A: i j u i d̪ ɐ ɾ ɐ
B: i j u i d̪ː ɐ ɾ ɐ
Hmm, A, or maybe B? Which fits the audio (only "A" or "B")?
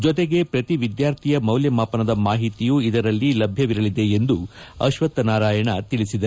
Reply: A